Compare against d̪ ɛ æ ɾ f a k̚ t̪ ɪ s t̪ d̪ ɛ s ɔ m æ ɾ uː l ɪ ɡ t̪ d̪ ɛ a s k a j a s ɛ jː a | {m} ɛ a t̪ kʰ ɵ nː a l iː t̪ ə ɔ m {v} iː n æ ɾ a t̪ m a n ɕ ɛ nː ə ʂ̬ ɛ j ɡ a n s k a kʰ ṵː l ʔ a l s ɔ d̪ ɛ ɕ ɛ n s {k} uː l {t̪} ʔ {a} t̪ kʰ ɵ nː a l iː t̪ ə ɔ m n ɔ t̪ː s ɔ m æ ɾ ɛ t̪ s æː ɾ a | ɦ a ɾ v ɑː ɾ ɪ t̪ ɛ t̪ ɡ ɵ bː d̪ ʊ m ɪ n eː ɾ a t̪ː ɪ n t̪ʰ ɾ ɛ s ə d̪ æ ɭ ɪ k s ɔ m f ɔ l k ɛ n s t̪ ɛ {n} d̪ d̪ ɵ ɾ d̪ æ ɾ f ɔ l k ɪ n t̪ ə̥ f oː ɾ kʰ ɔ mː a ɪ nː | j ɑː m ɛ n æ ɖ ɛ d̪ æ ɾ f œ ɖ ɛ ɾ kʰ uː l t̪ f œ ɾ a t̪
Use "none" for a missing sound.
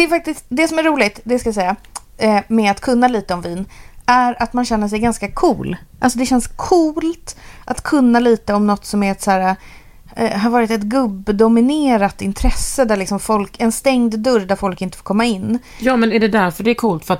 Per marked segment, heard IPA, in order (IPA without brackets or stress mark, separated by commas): m, v, kʰ, t̪, a, ŋ